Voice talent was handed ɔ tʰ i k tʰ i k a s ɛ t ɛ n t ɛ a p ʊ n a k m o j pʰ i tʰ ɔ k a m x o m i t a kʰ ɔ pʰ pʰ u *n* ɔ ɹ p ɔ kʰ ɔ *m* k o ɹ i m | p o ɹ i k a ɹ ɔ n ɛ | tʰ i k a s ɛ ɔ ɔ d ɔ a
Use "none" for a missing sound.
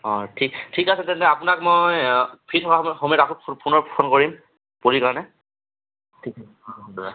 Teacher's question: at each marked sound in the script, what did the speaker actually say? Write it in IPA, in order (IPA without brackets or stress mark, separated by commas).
n, n